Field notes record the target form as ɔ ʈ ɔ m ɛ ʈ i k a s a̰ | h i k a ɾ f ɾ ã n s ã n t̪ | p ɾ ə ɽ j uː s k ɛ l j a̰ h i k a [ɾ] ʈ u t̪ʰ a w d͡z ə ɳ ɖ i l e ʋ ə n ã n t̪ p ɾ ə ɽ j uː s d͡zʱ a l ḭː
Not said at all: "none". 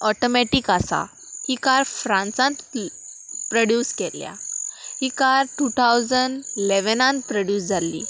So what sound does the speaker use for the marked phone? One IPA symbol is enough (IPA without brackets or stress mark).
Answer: ɾ